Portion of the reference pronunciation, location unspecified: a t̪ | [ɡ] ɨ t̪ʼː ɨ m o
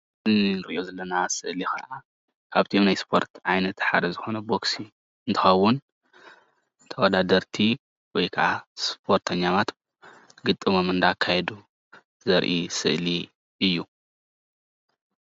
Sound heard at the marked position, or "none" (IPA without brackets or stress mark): ɡ